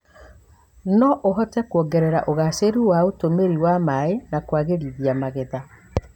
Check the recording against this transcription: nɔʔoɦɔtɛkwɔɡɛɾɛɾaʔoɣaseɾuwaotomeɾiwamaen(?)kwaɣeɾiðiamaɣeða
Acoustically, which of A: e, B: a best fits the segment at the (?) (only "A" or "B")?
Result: B